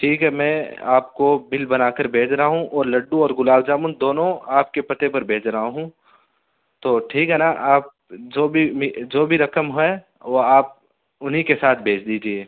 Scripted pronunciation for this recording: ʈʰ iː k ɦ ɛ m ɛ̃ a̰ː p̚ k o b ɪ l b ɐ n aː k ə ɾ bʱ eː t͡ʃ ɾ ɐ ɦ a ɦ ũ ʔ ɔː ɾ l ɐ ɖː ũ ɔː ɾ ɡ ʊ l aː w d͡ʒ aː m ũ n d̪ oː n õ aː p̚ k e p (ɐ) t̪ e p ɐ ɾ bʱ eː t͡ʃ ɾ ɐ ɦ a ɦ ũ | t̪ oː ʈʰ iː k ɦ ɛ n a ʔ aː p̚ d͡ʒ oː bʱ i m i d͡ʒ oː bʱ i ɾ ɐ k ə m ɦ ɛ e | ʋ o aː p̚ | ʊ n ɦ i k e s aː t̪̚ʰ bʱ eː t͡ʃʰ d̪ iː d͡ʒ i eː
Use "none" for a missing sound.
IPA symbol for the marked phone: ɐ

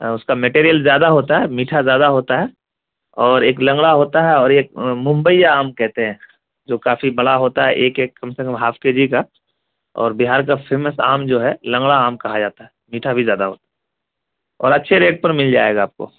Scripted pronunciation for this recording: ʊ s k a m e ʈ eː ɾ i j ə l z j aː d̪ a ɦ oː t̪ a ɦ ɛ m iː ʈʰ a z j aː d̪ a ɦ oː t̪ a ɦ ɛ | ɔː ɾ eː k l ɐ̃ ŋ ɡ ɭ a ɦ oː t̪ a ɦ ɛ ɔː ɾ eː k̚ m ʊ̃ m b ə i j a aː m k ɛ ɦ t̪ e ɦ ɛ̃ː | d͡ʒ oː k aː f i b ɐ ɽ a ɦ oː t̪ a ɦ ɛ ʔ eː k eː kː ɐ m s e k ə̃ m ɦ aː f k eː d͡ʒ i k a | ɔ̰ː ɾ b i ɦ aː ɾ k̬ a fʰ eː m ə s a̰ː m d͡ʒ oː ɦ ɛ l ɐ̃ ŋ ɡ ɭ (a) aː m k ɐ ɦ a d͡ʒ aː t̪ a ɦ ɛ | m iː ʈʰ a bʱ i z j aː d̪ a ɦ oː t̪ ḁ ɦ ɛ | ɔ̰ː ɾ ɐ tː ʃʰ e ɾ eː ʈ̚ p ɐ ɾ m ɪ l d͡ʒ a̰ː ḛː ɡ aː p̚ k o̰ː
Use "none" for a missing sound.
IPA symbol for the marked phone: a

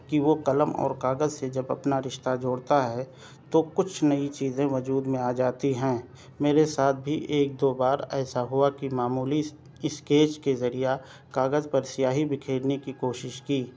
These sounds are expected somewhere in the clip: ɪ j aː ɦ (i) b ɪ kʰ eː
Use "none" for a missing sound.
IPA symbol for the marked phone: i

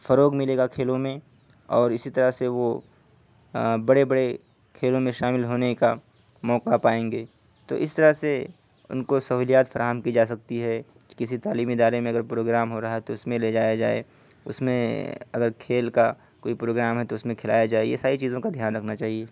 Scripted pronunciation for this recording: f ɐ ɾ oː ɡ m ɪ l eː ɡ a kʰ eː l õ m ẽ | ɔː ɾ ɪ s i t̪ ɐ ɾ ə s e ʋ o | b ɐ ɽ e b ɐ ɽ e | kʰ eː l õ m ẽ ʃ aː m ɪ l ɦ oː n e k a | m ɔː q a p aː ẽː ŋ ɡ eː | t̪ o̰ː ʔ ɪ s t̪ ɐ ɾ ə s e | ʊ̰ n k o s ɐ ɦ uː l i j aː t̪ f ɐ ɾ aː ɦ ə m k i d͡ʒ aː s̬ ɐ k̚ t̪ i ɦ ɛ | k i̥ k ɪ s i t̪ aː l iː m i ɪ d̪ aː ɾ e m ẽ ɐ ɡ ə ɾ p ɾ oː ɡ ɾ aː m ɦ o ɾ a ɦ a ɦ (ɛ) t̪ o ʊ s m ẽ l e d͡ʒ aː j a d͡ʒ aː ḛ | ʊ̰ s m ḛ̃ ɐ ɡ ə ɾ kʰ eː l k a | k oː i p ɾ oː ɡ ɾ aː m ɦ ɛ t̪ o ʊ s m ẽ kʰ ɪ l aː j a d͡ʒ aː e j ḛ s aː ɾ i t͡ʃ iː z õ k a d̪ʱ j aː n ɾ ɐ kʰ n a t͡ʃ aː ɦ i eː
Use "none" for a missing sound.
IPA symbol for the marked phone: ɛ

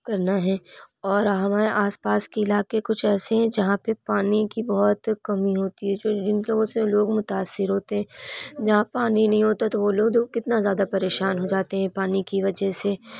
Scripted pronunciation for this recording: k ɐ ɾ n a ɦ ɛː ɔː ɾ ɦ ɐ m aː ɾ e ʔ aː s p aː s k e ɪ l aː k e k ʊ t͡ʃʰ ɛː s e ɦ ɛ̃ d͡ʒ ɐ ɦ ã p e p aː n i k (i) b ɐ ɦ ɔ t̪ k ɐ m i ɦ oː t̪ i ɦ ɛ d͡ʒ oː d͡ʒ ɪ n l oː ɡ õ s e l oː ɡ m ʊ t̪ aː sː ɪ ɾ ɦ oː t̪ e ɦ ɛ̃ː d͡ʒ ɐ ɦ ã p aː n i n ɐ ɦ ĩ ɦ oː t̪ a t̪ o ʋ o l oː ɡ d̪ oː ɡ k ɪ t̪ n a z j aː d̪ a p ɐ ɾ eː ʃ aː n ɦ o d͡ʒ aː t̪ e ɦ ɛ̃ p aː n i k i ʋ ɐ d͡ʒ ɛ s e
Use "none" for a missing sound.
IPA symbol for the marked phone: i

